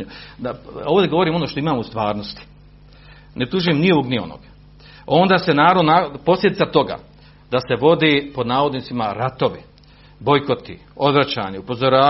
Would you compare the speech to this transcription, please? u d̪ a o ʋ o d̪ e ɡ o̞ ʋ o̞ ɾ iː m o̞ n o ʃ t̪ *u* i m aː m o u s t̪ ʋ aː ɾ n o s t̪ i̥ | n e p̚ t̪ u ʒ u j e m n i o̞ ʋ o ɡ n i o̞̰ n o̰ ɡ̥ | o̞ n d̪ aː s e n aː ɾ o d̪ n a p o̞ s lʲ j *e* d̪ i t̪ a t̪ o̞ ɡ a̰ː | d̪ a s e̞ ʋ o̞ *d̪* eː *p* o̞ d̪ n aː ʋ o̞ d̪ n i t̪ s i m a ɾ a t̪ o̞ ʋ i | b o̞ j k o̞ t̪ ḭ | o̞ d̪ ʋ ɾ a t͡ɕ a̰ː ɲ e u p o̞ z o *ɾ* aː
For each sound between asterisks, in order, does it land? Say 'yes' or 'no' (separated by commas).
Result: no, yes, yes, yes, yes